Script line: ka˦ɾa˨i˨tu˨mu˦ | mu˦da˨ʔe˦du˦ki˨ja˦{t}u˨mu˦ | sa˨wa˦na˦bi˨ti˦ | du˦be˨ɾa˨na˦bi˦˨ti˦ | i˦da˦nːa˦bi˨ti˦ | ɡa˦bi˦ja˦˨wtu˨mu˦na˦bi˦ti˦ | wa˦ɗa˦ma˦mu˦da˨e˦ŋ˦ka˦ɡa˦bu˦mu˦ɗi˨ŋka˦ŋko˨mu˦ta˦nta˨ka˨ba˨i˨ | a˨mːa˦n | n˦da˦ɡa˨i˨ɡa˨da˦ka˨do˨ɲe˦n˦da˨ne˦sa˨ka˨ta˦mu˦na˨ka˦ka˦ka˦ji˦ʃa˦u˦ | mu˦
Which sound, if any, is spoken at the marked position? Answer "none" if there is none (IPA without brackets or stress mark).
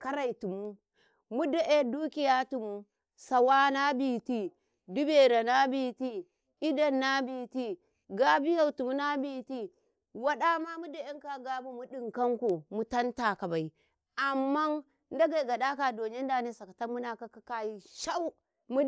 t